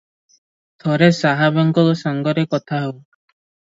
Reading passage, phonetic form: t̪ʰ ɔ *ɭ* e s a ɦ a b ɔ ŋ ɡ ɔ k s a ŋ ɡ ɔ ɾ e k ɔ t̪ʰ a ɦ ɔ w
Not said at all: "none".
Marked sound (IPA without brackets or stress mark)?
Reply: ɾ